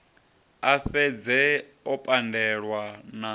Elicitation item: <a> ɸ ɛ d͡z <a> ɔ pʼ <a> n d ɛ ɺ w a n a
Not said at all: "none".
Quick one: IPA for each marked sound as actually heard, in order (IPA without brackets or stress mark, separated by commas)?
a, ɛ, a